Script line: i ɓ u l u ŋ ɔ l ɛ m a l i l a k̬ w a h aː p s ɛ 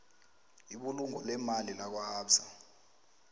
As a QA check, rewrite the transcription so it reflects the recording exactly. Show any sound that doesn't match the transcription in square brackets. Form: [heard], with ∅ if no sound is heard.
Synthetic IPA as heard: i ɓ u l u ŋ ɔ l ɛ m a l i l a k̬ w a h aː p s [a]